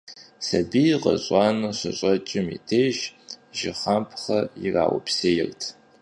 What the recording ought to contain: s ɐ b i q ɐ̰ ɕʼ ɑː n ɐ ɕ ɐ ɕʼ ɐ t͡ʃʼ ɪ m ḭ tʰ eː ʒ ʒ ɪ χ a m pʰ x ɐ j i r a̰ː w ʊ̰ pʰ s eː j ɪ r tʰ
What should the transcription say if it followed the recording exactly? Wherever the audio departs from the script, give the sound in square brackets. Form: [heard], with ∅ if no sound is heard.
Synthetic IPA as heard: s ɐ b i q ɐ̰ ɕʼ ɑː n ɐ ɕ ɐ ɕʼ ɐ t͡ʃʼ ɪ m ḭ tʰ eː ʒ ʒ ɪ χ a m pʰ [χ] ɐ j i r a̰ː w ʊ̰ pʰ s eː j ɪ r tʰ